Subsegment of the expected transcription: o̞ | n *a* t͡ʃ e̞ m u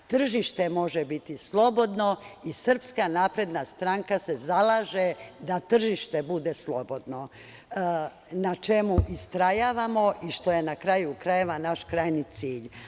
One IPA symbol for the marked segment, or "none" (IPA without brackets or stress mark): a